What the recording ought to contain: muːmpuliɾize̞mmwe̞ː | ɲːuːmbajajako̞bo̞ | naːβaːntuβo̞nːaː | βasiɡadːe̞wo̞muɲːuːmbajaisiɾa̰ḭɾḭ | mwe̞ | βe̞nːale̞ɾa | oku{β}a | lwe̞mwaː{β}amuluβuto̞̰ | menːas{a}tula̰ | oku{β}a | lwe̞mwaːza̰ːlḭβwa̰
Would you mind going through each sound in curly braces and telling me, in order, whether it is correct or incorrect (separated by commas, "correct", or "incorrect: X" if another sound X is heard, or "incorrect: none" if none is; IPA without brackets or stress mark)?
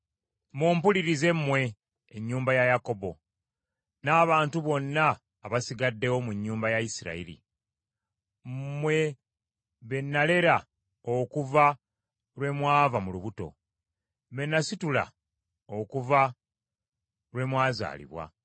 incorrect: v, incorrect: v, incorrect: i, incorrect: v